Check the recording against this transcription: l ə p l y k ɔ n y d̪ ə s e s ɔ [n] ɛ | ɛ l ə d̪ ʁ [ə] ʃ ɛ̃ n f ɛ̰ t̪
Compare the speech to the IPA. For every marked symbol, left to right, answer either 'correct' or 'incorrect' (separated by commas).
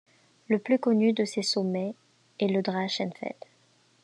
incorrect, incorrect